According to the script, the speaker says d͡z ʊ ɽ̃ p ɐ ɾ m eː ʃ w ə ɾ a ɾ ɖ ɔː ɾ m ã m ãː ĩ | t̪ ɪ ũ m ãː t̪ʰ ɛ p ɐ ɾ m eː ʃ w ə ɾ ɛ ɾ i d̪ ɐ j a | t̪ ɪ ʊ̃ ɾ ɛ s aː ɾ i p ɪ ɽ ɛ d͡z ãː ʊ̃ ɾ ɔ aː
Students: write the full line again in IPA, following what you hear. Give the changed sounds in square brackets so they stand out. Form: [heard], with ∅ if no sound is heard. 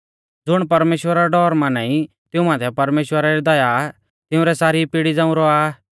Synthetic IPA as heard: d͡z ʊ ɽ̃ p ɐ ɾ m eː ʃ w ə ɾ a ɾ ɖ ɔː ɾ m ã [n] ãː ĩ | t̪ ɪ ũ m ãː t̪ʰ ɛ p ɐ ɾ m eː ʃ w ə ɾ [a] ɾ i d̪ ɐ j a | t̪ ɪ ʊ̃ ɾ ɛ s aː ɾ i p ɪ ɽ [i] d͡z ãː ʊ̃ ɾ ɔ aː